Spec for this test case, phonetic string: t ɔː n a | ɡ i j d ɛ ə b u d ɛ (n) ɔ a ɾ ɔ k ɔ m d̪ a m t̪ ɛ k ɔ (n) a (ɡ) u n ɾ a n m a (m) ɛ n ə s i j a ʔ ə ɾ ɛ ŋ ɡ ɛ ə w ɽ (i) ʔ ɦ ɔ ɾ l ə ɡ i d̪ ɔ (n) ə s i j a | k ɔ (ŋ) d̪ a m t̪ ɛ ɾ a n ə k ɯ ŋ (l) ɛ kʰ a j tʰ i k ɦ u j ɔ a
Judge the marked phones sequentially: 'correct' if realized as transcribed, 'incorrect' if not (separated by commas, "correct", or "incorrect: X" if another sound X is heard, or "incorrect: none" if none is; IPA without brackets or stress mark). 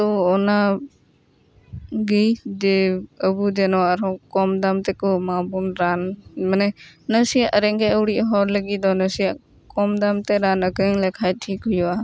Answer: correct, incorrect: m, incorrect: b, incorrect: n, correct, correct, incorrect: m, correct